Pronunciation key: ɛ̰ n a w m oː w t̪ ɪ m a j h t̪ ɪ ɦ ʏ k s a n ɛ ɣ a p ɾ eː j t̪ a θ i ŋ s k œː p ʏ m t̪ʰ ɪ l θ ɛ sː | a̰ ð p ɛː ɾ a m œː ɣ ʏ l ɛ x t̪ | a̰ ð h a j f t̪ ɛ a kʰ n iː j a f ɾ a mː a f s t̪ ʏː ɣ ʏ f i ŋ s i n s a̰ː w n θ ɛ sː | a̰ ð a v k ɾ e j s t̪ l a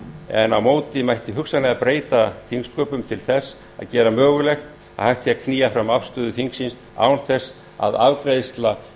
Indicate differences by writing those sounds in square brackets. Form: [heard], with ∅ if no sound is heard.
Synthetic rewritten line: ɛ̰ n a w m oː w t̪ ɪ m a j h t̪ ɪ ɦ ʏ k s a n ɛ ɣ a p ɾ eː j t̪ a θ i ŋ s k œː p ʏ m t̪ʰ ɪ l θ ɛ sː | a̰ ð [c] ɛː ɾ a m œː ɣ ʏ l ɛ x t̪ | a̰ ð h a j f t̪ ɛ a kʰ n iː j a f ɾ a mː a f s t̪ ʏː [ð] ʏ [θ] i ŋ s i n s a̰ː w n θ ɛ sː | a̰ ð a v k ɾ e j s t̪ l a